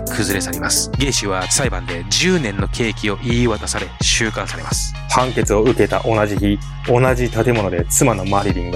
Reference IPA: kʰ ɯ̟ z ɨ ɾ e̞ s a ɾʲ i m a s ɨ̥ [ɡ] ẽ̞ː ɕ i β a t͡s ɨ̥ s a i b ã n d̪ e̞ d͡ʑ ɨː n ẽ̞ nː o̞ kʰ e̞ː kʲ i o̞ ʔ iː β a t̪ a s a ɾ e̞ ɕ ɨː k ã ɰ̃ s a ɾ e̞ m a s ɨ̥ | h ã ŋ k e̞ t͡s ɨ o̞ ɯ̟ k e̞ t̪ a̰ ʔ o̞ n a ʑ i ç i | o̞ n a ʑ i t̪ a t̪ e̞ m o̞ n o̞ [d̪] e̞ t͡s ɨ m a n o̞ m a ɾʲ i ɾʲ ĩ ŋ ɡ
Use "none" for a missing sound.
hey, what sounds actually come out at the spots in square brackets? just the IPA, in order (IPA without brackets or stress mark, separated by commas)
ɡ, d̪